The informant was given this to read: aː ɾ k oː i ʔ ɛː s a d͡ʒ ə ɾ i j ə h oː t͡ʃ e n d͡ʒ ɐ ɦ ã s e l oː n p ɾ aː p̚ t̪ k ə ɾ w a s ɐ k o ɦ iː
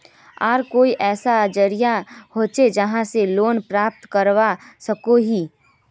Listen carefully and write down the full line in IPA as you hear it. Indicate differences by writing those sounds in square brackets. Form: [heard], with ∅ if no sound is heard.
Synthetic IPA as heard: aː ɾ k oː i ʔ ɛː s a d͡ʒ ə ɾ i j [a] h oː t͡ʃ e [∅] d͡ʒ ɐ ɦ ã s e l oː n p ɾ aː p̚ t̪ k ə ɾ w a s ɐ k o ɦ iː